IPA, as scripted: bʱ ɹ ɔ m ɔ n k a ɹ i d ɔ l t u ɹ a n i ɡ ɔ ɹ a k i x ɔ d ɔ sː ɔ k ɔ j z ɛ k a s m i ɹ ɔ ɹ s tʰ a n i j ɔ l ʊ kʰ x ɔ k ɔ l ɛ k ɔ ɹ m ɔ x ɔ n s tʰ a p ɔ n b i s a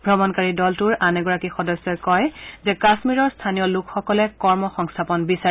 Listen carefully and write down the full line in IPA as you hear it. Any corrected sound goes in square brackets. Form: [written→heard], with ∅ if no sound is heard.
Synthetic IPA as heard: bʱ ɹ ɔ m ɔ n k a ɹ i d ɔ l t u ɹ a n [i→ɛ] ɡ ɔ ɹ a k i x ɔ d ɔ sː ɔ k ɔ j z ɛ k a s m i ɹ ɔ ɹ s tʰ a n i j ɔ l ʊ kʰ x ɔ k ɔ l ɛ k ɔ ɹ m ɔ x ɔ [n→ŋ] s tʰ a p ɔ n b i s a